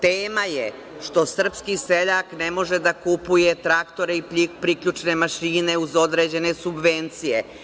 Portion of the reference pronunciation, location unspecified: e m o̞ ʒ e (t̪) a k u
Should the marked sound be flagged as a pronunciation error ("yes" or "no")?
yes